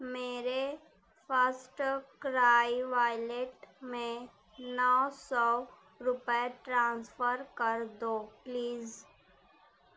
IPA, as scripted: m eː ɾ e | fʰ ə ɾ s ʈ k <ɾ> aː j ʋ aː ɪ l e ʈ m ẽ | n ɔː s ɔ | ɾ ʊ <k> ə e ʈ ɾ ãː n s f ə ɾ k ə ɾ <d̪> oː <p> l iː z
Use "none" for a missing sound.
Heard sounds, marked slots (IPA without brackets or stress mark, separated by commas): ɾ, p, d̪, p